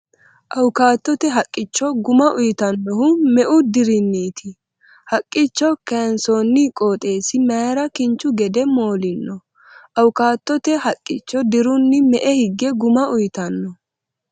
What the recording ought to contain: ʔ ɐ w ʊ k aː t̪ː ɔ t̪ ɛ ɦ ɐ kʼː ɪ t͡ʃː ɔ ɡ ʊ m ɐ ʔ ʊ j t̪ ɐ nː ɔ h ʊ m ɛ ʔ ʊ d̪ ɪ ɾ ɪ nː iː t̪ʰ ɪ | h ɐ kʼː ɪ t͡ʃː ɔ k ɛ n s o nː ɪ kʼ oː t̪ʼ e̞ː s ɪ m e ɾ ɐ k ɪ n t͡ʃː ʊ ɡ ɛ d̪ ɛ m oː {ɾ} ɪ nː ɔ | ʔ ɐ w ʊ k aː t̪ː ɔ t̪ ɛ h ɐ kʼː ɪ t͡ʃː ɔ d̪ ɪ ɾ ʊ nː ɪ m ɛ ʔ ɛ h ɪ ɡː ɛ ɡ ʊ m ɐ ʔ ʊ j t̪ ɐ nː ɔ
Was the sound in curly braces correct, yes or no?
no